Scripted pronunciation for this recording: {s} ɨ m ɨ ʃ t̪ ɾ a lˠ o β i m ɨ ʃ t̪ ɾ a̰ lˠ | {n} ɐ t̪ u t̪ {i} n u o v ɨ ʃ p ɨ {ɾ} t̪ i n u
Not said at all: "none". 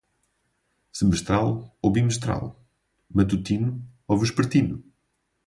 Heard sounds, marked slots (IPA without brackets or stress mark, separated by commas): s, m, i, ɾ